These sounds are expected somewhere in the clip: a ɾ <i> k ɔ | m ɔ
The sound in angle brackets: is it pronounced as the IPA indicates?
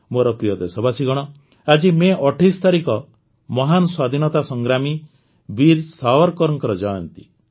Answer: yes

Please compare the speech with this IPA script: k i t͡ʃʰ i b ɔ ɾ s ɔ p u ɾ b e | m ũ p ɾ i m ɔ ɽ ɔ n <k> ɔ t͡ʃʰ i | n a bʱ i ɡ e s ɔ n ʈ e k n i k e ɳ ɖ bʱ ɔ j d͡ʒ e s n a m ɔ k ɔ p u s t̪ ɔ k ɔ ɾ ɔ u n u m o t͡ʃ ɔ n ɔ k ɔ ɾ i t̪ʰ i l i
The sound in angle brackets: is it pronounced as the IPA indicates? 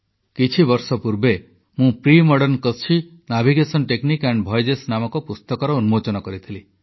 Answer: yes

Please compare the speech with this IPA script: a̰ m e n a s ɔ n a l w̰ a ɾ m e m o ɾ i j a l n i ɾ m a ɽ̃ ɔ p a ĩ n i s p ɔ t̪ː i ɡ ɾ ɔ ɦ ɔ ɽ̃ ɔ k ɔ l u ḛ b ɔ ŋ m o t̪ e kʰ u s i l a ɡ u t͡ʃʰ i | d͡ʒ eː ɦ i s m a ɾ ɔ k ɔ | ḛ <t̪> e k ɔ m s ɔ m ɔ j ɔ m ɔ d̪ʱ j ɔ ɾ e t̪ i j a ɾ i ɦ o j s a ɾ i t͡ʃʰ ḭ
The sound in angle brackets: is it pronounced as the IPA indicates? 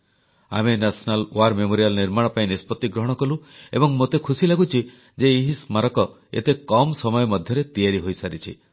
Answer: yes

